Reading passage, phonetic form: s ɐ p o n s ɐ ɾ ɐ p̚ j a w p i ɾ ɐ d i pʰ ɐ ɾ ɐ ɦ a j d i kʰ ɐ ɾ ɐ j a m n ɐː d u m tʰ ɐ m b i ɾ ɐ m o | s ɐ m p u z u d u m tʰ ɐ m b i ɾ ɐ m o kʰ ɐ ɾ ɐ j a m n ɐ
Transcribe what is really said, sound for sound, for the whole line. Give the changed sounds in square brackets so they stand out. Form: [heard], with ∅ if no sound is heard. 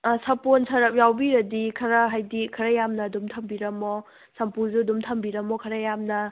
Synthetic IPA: s ɐ p o n s ɐ ɾ ɐ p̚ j a w [b] i ɾ ɐ d i [kʰ] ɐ ɾ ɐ ɦ a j d i kʰ ɐ ɾ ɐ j a m n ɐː d u m tʰ ɐ m b i ɾ ɐ m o | s ɐ m p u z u d u m tʰ ɐ m b i ɾ ɐ m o kʰ ɐ ɾ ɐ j a m n ɐ